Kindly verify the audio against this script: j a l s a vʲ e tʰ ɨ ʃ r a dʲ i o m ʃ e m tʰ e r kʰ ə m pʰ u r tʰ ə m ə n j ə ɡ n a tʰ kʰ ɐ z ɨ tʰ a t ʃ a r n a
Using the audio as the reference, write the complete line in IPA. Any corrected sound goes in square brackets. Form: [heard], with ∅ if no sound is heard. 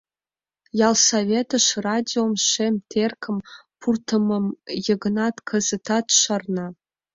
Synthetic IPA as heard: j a l s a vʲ e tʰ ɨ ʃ r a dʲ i o m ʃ e m tʰ e r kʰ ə m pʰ u r tʰ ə m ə [m] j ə ɡ n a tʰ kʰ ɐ z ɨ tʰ a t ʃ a r n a